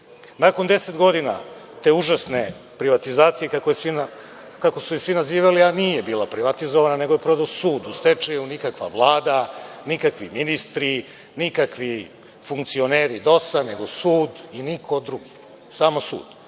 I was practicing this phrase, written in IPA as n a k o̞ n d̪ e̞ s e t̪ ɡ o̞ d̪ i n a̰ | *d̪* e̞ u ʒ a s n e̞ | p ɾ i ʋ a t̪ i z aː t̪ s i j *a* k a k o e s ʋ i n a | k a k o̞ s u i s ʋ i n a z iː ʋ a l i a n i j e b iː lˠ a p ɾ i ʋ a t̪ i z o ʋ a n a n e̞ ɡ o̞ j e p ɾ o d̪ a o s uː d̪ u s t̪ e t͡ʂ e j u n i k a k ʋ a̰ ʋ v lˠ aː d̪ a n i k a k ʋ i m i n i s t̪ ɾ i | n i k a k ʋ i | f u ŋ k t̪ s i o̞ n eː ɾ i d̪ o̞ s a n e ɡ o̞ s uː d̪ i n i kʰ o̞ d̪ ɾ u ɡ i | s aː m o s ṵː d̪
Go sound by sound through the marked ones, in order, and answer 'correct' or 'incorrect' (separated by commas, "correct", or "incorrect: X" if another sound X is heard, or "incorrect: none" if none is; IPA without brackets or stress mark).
incorrect: t̪, incorrect: e